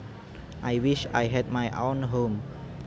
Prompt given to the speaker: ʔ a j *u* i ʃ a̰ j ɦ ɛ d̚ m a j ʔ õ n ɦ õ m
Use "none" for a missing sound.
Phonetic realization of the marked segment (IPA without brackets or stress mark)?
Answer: w